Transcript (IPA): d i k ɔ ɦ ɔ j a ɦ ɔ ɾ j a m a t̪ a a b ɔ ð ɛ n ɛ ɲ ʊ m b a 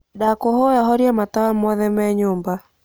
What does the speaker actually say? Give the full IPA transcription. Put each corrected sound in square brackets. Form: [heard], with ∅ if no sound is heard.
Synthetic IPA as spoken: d [a] k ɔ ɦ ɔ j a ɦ ɔ ɾ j a m a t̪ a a [m] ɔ ð ɛ [m] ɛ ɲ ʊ m b a